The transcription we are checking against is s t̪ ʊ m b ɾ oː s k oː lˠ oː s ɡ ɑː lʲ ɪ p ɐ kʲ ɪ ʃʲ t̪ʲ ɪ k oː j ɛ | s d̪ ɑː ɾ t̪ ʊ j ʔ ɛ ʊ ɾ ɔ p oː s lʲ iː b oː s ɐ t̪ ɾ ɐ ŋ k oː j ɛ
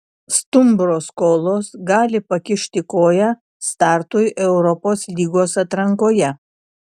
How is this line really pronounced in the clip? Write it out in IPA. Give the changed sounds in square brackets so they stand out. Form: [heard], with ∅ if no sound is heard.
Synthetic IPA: s t̪ ʊ m b ɾ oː s k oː lˠ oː s ɡ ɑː lʲ ɪ p ɐ kʲ ɪ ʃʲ t̪ʲ ɪ k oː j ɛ | s [t̪] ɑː ɾ t̪ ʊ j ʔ ɛ ʊ ɾ ɔ p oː s lʲ iː [ɡ] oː s ɐ t̪ ɾ ɐ ŋ k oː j ɛ